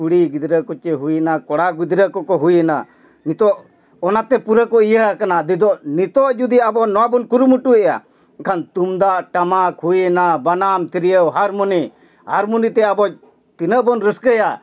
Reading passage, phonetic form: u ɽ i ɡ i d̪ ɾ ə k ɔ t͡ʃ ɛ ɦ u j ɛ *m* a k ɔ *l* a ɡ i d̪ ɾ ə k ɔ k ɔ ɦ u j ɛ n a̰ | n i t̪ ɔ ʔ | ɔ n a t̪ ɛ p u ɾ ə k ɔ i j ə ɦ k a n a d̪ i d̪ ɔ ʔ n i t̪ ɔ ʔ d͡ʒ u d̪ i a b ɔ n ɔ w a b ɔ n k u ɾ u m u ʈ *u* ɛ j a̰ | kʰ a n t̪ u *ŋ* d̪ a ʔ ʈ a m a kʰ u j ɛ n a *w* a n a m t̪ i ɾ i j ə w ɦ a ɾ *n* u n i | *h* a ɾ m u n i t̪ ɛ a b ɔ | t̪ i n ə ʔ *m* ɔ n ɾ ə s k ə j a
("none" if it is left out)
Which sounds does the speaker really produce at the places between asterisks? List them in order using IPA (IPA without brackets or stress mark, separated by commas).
n, ɽ, u, m, b, m, h, b